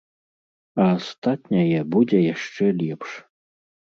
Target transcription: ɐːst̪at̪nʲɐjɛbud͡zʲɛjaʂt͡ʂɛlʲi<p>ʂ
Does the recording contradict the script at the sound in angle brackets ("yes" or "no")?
no